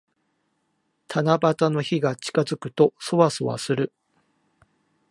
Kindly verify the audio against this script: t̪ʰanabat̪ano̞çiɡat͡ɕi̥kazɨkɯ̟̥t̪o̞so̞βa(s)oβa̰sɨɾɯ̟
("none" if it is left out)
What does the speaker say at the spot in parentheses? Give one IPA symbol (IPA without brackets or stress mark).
s